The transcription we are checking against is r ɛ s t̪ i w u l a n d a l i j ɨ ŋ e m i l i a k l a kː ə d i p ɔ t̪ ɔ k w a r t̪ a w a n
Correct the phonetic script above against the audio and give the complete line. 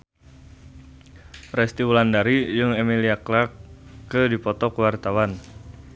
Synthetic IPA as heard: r ɛ s t̪ i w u l a n d a ɾ i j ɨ ŋ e m i l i a k l a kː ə d i p ɔ t̪ ɔ k w a r t̪ a w a n